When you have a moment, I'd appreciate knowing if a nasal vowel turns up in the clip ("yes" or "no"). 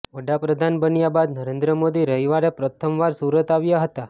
no